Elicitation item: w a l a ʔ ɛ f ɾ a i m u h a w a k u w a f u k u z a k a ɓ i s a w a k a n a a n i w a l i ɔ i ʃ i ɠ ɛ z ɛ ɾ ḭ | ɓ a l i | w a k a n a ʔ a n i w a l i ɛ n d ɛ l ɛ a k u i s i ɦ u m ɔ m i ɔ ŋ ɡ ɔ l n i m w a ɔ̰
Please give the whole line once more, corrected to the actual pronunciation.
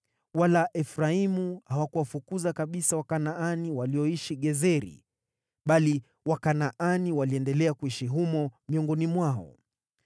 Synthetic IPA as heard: w a l a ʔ ɛ f ɾ a i m u h a w a k u w a f u k u z a k a ɓ i s a w a k a n a a n i w a l i ɔ i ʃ i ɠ ɛ z ɛ ɾ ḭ | ɓ a l i | w a k a n a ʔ a n i w a l i ɛ n d ɛ l ɛ a k u i ʃ i ɦ u m ɔ m i ɔ ŋ ɡ ɔ n i m w a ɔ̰